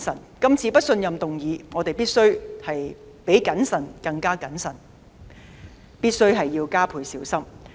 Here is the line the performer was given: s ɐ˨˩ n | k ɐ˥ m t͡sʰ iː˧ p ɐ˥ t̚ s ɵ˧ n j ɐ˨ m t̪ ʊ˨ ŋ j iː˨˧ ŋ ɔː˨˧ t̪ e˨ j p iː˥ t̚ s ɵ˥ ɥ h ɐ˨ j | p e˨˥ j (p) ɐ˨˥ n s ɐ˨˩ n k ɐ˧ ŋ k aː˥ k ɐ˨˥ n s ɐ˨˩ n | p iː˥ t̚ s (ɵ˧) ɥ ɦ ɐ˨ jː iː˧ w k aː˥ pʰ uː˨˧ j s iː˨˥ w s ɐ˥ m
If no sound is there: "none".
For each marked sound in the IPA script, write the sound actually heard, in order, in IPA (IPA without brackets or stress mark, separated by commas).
k, ɵ˥